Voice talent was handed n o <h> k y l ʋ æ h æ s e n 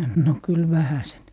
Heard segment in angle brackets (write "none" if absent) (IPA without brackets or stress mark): none